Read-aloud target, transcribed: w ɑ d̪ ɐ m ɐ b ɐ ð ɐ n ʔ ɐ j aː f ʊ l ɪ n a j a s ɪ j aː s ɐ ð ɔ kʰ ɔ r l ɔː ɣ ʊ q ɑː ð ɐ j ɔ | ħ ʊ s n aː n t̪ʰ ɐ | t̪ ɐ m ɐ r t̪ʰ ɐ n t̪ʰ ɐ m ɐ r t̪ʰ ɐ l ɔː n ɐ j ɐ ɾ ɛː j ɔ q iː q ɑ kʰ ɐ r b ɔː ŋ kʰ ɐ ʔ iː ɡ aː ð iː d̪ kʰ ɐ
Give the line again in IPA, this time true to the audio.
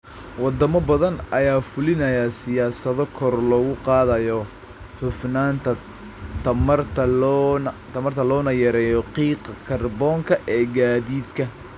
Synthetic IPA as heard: w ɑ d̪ ɐ m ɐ b ɐ ð ɐ n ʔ ɐ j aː f ʊ l ɪ n ɐ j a s ɪ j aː s ɐ ð ɔ kʰ ɔ r l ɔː ɣ ʊ q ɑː ð ɐ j ɔ | ħ ʊ f n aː n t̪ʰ ɐ | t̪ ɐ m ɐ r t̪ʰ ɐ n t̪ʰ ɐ m ɐ r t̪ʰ ɐ l ɔː n ɐ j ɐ ɾ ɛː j ɔ q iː q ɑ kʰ ɐ r b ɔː ŋ kʰ ɐ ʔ ɛː ɡ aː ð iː d̪ kʰ ɐ

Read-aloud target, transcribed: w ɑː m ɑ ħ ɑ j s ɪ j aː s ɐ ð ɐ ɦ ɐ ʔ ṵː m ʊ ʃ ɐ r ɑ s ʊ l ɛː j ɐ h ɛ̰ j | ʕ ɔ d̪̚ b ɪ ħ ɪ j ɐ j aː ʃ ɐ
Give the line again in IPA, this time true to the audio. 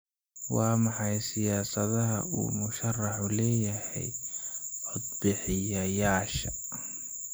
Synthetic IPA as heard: w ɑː m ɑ ħ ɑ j s ɪ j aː s ɐ ð ɐ ɦ ɐ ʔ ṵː m ʊ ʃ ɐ r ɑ ħ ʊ l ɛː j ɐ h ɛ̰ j | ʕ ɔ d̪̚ b ɪ ħ ɪ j ɐ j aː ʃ ɐ

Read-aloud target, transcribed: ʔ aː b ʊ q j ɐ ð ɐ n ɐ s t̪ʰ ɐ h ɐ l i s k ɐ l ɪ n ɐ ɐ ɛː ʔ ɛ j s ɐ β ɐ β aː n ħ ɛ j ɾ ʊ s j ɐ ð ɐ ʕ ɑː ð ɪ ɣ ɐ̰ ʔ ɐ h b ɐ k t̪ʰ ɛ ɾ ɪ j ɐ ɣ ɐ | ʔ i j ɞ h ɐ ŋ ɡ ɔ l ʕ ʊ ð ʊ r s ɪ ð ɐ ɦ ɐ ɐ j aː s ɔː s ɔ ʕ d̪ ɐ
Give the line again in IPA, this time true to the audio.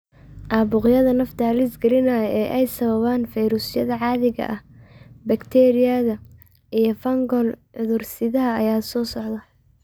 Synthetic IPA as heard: ʔ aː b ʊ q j ɐ ð ɐ n ɐ f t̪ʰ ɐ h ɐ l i s ɡ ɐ l ɪ n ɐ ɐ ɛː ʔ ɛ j s ɐ β ɐ β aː n f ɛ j ɾ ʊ s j ɐ ð ɐ ʕ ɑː ð ɪ ɣ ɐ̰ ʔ ɐ h b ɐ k t̪ʰ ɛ ɾ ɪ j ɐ ð ɐ | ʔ i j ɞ f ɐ ŋ ɡ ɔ l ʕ ʊ ð ʊ r s ɪ ð ɐ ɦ ɐ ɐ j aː s ɔː s ɔ ʕ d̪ ɐ

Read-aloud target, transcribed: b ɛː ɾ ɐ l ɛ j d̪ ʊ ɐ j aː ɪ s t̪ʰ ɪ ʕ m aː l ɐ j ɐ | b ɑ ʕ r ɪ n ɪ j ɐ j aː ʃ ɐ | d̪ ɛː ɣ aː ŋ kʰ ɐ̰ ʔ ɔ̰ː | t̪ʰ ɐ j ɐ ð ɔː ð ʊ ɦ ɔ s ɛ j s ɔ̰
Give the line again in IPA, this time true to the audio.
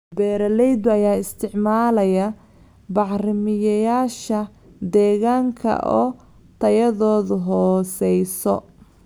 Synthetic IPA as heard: b ɛː ɾ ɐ l ɛ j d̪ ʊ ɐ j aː ɪ s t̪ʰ ɪ ʕ m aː l ɐ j ɐ | b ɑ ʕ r ɪ m ɪ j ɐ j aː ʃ ɐ | d̪ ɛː ɣ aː ŋ kʰ ɐ̰ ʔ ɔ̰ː | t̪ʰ ɐ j ɐ ð ɔː ð ʊ ɦ ɔː s ɛ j s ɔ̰

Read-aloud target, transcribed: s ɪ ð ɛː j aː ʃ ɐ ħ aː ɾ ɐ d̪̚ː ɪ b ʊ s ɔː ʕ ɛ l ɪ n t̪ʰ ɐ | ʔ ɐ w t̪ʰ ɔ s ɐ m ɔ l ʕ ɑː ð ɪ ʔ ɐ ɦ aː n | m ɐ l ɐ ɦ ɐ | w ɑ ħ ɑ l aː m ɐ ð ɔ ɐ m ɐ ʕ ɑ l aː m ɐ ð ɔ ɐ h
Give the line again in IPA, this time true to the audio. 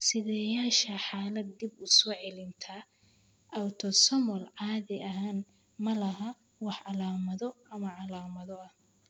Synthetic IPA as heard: s ɪ ð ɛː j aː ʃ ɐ ħ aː l ɐ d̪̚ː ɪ b ʊ s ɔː ʕ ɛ l ɪ n t̪ʰ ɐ | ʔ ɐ w t̪ʰ ɔ s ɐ m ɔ l ʕ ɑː ð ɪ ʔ ɐ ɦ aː n | m ɐ l ɐ ɦ ɐ | w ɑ ħ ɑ l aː m ɐ ð ɔ ɐ m ɐ ʕ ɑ l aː m ɐ ð ɔ ɐ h

